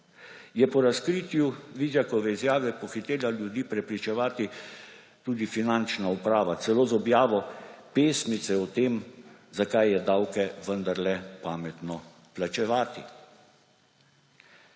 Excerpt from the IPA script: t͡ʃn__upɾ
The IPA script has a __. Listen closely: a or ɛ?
a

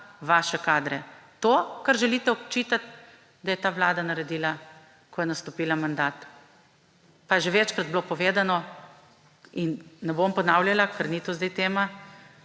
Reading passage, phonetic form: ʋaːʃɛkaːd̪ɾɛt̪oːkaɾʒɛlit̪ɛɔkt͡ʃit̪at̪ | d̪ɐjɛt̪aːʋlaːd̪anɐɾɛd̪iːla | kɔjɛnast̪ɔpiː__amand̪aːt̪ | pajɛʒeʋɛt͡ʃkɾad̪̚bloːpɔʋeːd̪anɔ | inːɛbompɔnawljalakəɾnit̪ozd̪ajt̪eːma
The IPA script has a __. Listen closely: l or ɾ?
l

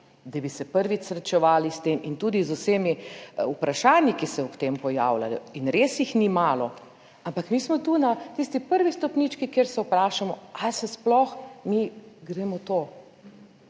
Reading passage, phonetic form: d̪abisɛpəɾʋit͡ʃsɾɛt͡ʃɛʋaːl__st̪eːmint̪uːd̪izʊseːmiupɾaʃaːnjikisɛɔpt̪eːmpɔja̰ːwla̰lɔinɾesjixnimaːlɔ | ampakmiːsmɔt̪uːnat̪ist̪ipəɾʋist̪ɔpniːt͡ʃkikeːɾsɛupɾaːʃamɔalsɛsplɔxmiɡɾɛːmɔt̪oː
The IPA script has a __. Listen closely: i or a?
i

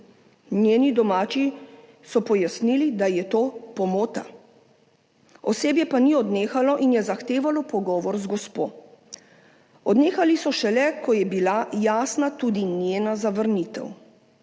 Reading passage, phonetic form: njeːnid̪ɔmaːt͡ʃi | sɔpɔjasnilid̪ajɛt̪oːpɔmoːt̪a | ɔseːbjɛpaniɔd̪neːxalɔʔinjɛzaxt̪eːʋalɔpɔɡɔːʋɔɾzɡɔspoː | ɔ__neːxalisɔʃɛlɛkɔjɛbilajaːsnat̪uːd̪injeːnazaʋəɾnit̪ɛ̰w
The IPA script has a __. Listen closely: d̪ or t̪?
d̪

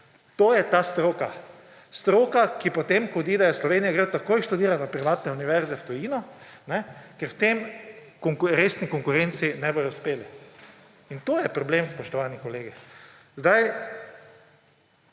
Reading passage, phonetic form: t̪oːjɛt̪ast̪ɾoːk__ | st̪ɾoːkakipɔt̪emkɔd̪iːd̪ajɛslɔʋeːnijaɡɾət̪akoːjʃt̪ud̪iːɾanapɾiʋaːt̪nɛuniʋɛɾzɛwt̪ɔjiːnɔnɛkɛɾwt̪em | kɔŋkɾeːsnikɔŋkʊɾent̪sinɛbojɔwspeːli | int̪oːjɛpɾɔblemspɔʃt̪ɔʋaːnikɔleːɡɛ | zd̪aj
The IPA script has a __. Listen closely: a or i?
a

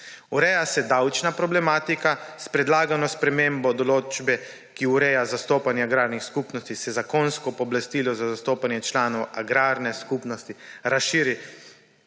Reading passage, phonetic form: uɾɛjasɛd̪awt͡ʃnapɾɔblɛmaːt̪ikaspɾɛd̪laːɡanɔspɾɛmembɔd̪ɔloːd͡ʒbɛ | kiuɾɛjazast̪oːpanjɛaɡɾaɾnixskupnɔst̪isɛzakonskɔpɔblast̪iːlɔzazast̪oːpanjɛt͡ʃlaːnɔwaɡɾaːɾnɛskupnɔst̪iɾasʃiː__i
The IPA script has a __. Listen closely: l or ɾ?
ɾ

